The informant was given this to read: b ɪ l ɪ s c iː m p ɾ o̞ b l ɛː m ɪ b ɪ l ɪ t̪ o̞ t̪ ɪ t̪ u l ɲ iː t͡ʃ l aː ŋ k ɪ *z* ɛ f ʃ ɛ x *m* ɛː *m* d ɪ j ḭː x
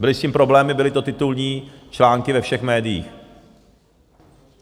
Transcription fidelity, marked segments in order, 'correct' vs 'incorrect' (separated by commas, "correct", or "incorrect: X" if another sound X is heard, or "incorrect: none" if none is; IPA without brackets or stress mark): incorrect: v, correct, incorrect: none